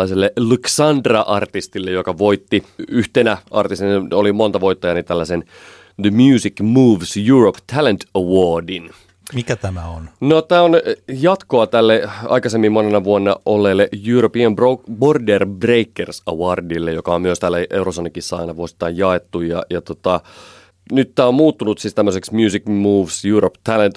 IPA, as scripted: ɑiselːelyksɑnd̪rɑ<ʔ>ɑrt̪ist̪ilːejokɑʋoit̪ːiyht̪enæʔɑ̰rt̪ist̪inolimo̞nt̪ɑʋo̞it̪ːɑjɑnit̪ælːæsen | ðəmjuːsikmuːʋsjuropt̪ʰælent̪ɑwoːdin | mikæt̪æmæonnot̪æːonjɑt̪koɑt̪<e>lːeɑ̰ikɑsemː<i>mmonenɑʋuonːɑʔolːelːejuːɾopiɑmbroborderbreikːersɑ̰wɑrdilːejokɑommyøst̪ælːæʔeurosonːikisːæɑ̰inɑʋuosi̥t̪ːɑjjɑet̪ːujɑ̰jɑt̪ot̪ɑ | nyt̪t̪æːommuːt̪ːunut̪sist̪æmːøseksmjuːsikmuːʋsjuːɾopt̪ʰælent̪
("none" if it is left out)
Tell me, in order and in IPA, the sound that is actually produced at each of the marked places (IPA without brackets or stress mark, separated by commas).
ʔ, æ, i